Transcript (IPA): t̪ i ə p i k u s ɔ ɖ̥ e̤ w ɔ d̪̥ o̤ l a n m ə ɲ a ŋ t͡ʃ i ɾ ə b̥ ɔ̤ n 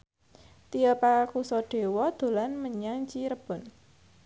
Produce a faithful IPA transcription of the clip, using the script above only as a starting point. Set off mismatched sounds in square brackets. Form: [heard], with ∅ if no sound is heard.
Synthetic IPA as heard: t̪ i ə p [a] k u s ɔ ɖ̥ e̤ w ɔ d̪̥ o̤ l a n m ə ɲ a ŋ t͡ʃ i ɾ ə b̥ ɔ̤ n